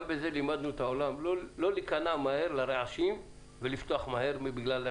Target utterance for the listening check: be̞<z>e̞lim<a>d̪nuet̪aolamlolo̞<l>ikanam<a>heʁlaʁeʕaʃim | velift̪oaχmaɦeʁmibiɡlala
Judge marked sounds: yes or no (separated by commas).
yes, yes, yes, yes